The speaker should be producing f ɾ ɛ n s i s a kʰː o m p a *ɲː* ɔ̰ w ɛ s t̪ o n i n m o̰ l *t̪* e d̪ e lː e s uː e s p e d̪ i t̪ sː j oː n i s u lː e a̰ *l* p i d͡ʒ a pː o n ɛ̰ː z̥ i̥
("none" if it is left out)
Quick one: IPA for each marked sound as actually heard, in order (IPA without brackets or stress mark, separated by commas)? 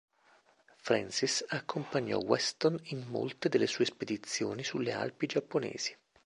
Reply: ɲː, t̪, l